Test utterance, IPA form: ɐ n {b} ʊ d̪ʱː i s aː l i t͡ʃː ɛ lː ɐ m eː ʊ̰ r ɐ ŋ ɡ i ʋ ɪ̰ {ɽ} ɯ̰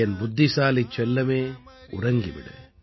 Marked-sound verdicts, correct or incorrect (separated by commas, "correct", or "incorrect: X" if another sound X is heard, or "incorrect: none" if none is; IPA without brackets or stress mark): correct, correct